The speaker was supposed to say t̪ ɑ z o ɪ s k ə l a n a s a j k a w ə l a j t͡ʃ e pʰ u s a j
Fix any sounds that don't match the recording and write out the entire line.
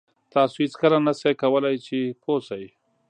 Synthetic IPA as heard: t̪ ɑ s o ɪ t͡s k ə l a n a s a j k a w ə l a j t͡ʃ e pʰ o s a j